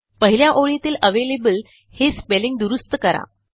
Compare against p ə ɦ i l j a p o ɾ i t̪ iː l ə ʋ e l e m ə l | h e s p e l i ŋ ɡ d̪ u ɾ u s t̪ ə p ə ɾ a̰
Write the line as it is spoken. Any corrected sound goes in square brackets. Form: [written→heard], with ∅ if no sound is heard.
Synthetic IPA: p ə ɦ i l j a [p→ʔ] o [ɾ→ɭ] i t̪ iː l ə ʋ e l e [m→b] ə l | h e s p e l i ŋ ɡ d̪ u ɾ u s t̪ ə [p→k] ə ɾ a̰